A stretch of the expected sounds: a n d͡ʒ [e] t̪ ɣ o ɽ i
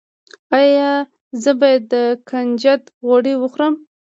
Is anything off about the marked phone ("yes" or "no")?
yes